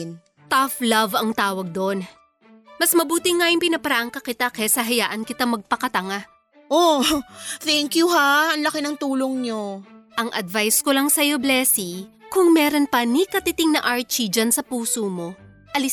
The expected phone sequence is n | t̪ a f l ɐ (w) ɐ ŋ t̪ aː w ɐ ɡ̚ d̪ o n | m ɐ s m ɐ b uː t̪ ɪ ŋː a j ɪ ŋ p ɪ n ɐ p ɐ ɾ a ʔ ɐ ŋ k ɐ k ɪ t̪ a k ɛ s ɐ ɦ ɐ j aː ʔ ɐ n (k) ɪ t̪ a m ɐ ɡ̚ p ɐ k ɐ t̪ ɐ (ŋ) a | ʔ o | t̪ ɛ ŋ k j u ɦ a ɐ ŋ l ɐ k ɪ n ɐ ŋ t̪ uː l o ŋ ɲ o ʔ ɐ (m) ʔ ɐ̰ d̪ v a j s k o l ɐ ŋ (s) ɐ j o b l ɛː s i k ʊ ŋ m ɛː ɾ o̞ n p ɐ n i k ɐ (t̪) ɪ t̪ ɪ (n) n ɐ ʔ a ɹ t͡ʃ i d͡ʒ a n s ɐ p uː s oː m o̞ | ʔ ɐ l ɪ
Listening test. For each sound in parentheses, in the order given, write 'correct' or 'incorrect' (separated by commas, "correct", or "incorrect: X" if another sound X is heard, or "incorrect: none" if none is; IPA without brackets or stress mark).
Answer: incorrect: v, correct, correct, incorrect: ŋ, correct, correct, incorrect: ŋ